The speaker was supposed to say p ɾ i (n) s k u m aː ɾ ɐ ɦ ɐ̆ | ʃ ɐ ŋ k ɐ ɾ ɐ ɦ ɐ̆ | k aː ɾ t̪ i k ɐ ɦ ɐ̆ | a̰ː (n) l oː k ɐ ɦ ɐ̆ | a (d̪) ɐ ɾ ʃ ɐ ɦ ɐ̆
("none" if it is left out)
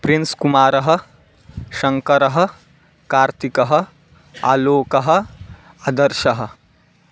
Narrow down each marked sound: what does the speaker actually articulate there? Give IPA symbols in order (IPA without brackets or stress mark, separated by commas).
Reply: n, none, d̪